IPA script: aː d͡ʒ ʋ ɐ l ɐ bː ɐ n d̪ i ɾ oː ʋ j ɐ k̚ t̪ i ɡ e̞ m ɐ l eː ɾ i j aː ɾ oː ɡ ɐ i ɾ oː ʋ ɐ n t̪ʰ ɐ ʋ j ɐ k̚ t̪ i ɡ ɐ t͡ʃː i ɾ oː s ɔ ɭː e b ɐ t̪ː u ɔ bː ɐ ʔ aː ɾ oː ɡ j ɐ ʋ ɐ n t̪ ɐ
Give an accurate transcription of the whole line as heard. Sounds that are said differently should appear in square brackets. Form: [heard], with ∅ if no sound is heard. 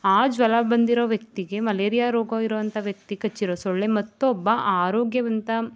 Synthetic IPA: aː d͡ʒ ʋ ɐ l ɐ [b] ɐ n d̪ i ɾ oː ʋ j ɐ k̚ t̪ i ɡ e̞ m ɐ l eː ɾ i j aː ɾ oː ɡ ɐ i ɾ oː ʋ ɐ n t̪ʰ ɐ ʋ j ɐ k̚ t̪ i [k] ɐ t͡ʃː i ɾ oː s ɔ ɭː e [m] ɐ t̪ː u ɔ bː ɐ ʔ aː ɾ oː ɡ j ɐ ʋ ɐ n t̪ ɐ